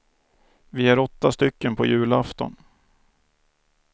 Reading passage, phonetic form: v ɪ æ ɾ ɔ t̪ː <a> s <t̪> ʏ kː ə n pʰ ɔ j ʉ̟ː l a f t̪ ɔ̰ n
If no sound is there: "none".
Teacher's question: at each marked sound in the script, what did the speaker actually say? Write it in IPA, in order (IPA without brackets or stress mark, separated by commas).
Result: a, t̪